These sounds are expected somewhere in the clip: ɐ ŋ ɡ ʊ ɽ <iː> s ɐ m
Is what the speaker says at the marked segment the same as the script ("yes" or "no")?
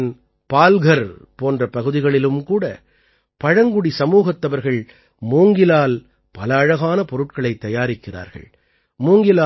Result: no